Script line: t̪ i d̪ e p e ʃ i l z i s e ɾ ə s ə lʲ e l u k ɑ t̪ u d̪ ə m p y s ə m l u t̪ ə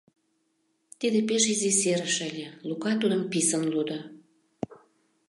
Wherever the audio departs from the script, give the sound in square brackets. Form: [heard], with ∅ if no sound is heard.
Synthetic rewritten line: t̪ i d̪ e p e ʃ i [∅] z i s e ɾ ə [ʃ] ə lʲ e l u k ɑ t̪ u d̪ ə m p [i] s ə [n] l u [d̪] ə